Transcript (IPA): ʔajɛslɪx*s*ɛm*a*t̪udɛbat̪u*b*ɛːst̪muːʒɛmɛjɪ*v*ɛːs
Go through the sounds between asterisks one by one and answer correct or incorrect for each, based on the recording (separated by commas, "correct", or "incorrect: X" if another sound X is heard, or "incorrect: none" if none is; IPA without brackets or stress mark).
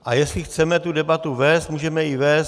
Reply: incorrect: t͡s, incorrect: ɛ, incorrect: v, correct